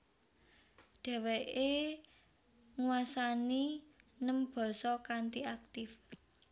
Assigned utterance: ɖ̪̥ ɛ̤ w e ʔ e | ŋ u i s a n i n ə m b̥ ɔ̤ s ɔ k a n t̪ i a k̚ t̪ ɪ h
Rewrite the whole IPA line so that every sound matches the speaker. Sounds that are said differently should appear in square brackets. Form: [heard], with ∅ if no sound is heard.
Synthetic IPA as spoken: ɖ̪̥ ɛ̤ w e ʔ e | ŋ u [a] s a n i n ə m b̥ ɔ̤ s ɔ k a n t̪ i a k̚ t̪ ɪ [f]

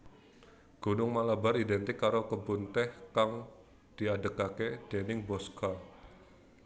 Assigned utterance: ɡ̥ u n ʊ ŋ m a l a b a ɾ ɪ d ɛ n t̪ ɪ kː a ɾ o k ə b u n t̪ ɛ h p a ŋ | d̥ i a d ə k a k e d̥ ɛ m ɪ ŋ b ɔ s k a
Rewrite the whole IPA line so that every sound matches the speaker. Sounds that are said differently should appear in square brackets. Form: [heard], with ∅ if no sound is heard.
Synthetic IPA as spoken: ɡ̥ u n ʊ ŋ m a l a b a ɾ [i] d ɛ n t̪ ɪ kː a ɾ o k ə b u n t̪ ɛ h [k] a ŋ | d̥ i a d ə k a k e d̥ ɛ [n] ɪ ŋ b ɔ s k a

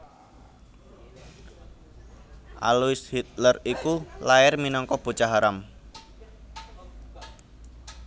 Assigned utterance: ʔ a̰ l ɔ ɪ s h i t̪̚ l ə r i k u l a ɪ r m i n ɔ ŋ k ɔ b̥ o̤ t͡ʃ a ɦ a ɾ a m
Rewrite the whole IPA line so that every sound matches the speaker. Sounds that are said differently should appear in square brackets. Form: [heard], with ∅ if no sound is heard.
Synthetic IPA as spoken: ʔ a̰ l [u] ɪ s h i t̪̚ l ə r i k u l a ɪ r m i n ɔ ŋ k ɔ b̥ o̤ t͡ʃ a ɦ a ɾ a m

